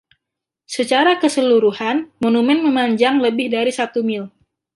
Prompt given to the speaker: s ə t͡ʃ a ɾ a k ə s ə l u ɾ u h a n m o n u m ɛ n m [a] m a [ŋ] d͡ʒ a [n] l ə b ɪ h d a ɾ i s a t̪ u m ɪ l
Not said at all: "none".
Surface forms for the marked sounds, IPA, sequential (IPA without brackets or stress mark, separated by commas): ə, ɲ, ŋ